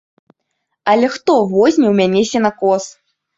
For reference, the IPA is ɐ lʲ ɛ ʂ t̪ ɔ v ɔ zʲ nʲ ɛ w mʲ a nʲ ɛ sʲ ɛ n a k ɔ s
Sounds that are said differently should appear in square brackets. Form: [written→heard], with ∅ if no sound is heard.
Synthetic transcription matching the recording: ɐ lʲ ɛ [ʂ→x] t̪ ɔ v ɔ zʲ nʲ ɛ w mʲ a nʲ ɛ sʲ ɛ n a k ɔ s